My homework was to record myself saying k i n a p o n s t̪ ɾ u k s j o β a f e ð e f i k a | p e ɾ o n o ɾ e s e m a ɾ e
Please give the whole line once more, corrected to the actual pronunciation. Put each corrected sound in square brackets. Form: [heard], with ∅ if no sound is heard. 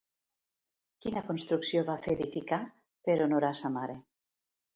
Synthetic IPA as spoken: k i n a [k] o n s t̪ ɾ u k s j o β a f e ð [i] f i k a | p e ɾ o n o ɾ [a] s [a] m a ɾ e